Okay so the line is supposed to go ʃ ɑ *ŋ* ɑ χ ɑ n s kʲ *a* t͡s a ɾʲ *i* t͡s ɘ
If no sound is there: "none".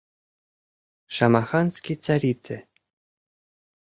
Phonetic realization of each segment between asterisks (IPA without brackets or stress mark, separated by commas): m, i, i